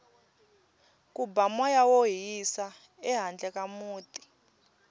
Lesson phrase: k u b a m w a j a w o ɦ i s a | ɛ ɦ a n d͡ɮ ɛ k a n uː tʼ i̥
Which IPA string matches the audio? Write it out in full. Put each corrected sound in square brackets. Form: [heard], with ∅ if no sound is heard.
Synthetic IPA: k u b a m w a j a w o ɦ i s a | ɛ ɦ a n d͡ɮ ɛ k a [m] uː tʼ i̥

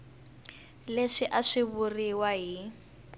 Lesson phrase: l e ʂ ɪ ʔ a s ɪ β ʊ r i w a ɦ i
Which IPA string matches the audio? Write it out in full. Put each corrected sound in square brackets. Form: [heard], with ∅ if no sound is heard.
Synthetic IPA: l e ʂ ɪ ʔ a [ʂ] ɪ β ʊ r i w a ɦ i

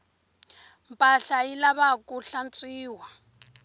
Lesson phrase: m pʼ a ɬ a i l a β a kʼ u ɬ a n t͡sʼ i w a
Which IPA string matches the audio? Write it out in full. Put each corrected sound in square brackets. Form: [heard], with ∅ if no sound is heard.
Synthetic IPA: m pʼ a ɬ a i l a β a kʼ u ɬ a n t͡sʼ [iː] w a

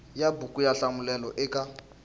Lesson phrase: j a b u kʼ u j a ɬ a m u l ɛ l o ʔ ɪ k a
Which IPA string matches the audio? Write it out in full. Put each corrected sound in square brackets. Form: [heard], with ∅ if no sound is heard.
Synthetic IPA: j a b u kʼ u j a ɬ a m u l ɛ l [ɔ] ʔ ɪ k a

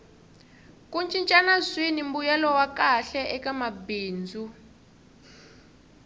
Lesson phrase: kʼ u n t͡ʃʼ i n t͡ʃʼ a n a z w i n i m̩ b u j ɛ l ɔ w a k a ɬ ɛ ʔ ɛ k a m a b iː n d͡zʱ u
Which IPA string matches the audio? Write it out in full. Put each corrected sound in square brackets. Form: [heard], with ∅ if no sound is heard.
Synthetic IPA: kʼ u n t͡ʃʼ i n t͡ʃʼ a n a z w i n i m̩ b u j ɛ l ɔ w a k a ɬ ɛ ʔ ɛ k a m a b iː n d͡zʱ u

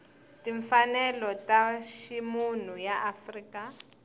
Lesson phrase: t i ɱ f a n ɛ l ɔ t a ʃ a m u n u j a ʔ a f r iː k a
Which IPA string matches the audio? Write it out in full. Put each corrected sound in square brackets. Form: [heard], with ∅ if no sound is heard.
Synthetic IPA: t i ɱ f a n ɛ l ɔ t a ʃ [i] m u n u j a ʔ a f r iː k a

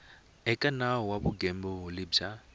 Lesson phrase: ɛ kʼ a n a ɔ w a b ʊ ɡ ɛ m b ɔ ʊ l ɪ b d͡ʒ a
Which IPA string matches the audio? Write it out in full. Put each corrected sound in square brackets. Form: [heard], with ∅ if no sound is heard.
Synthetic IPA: ɛ kʼ a n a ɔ w a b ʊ ɡ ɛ m b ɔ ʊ l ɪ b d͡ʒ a

